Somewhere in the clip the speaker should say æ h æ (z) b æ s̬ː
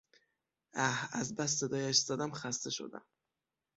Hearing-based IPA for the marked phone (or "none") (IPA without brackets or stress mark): z